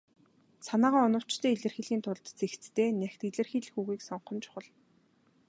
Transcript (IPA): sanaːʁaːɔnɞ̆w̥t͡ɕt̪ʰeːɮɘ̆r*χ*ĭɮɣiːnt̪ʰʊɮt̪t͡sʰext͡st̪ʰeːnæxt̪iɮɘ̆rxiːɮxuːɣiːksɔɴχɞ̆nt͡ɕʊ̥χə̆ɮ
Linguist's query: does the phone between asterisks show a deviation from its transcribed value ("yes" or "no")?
yes